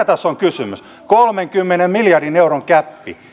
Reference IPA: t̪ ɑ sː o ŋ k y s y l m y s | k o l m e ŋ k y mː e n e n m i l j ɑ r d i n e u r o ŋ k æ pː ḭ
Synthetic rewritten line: t̪ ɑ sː o ŋ k y s y m y s | k o l m e ŋ k y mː e n e m m i l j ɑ r d i n e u r o ŋ k æ pː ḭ